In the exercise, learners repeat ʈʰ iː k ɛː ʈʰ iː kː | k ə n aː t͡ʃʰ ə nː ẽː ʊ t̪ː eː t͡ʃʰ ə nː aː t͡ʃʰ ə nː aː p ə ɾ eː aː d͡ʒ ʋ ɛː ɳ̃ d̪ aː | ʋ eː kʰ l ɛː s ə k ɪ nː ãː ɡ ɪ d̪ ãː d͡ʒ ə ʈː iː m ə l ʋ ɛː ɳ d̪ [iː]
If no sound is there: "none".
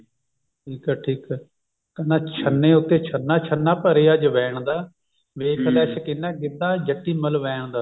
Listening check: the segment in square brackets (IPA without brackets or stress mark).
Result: aː